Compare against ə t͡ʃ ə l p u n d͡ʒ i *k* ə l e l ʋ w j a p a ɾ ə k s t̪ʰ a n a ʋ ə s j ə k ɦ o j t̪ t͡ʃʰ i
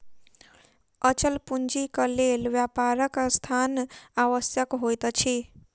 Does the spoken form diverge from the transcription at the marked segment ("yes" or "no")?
no